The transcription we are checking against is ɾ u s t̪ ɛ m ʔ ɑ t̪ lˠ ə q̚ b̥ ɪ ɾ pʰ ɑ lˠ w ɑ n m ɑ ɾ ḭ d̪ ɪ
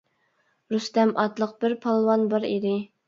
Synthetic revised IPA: ɾ u s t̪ ɛ m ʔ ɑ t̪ lˠ ə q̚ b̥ ɪ ɾ pʰ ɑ lˠ w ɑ n b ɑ ɾ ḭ d̪ ɪ